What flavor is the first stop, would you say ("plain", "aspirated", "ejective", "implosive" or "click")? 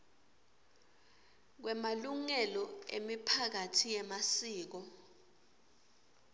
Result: plain